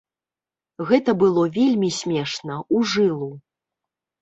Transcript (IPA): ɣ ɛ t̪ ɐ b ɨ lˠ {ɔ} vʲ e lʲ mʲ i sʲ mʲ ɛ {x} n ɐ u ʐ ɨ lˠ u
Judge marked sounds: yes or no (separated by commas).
yes, no